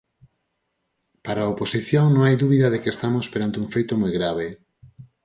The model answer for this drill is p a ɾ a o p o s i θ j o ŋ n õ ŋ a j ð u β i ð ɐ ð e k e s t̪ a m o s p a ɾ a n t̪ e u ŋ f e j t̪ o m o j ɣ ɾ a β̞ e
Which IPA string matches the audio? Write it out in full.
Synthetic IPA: p a ɾ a o p o s i θ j o ŋ n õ ŋ a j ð u β i ð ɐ ð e k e s t̪ a m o s p e ɾ a n t̪ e u ŋ f e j t̪ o m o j ɣ ɾ a β̞ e